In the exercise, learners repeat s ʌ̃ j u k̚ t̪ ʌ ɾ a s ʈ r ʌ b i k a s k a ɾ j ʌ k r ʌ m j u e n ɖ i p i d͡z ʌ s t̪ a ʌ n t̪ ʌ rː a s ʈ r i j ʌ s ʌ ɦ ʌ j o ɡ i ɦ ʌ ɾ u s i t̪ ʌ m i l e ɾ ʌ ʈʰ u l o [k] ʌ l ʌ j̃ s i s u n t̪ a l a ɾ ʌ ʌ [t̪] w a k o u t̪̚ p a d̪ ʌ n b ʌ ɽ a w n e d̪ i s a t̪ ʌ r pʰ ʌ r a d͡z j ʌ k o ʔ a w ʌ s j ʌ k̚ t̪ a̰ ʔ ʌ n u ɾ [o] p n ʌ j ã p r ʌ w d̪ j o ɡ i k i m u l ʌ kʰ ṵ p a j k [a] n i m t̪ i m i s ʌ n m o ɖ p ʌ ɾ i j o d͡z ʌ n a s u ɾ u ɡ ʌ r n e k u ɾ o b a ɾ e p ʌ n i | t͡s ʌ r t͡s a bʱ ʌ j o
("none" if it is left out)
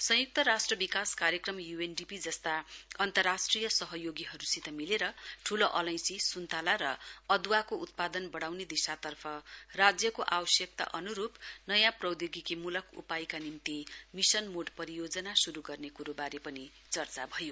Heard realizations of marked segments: ʔ, d̪, u, a

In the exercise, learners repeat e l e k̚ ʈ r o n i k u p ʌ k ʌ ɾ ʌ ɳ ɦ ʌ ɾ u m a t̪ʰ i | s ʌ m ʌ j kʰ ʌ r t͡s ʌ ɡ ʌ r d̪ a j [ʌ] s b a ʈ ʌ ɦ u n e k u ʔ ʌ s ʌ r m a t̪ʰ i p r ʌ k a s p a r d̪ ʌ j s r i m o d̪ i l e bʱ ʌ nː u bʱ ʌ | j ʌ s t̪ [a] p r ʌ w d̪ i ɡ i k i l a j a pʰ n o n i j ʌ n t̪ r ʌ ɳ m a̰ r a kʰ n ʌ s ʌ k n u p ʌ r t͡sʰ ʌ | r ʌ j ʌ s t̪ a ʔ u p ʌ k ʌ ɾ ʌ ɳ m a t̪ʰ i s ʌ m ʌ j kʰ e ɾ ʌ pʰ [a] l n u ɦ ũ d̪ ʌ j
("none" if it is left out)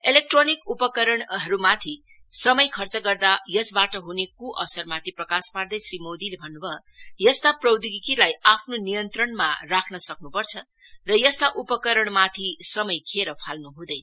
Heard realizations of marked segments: ʌ, a, a

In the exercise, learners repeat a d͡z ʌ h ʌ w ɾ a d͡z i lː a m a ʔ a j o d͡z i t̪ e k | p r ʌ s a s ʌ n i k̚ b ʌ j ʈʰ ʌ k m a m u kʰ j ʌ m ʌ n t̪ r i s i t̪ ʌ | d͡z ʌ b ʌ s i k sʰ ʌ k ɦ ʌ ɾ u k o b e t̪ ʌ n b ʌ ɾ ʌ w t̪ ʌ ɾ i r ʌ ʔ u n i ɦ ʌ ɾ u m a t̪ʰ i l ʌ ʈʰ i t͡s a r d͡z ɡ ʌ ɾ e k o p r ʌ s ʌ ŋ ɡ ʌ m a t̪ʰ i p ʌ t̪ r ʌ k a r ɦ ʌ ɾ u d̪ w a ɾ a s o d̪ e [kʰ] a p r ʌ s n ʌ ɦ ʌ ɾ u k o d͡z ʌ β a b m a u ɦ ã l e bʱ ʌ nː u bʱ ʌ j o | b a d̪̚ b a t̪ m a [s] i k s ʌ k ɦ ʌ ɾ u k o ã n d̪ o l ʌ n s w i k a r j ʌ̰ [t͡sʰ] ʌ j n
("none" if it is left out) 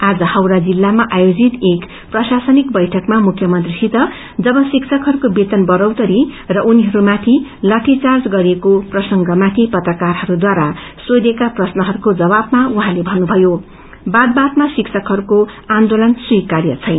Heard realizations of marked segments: k, s, t͡sʰ

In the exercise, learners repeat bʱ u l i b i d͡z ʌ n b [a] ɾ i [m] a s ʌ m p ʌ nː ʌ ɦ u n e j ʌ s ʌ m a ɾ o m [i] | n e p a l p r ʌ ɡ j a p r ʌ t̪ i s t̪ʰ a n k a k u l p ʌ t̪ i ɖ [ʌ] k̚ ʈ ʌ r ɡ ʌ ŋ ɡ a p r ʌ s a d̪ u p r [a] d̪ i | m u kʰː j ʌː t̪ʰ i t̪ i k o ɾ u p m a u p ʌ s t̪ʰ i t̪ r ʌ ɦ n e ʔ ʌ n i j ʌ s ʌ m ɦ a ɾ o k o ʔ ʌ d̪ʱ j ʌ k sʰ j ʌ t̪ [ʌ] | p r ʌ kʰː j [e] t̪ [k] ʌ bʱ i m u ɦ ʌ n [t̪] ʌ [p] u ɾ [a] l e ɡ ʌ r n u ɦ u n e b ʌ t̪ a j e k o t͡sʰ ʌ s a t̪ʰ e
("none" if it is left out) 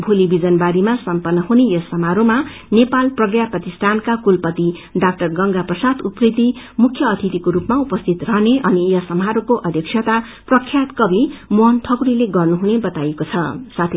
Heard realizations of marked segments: a, m, a, a, i, a, a, k, t̪ʰ, k, i

